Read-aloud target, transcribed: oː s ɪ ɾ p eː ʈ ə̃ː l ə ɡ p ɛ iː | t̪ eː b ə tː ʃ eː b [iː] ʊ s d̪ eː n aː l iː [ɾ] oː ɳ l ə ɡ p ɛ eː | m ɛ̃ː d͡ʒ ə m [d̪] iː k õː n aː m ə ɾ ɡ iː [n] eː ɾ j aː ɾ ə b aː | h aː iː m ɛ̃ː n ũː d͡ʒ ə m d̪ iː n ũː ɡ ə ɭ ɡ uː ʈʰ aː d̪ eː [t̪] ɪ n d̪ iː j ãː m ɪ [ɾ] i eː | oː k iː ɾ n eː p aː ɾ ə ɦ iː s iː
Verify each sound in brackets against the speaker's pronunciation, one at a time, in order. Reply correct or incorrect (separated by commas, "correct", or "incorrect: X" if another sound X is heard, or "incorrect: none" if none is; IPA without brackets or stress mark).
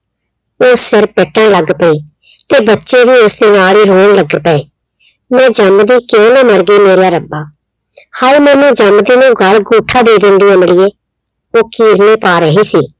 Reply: correct, correct, correct, incorrect: m, incorrect: d̪, incorrect: ɽ